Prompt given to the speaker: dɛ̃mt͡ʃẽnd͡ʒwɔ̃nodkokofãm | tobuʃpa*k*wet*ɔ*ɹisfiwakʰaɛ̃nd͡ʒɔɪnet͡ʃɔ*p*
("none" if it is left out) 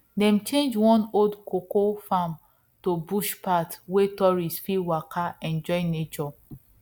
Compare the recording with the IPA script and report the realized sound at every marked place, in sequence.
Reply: t, ɔ, none

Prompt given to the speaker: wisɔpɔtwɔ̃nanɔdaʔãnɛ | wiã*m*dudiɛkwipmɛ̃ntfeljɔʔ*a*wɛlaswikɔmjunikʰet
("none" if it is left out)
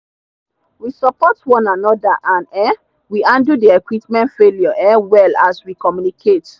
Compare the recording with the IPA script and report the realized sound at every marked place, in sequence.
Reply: n, ɛ

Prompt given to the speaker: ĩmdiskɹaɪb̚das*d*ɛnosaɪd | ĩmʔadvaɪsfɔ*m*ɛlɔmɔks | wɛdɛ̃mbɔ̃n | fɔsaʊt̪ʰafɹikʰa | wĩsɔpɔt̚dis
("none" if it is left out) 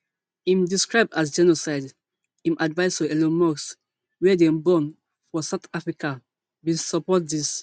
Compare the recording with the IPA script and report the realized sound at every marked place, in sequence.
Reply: d͡ʒ, none

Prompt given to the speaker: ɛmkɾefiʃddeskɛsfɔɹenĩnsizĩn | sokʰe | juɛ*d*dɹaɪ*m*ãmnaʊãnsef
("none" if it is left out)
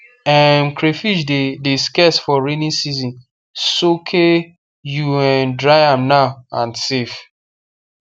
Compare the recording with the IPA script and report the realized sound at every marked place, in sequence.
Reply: n, none

